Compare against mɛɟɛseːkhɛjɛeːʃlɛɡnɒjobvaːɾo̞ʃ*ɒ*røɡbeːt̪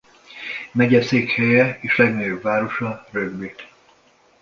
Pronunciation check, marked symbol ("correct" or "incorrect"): correct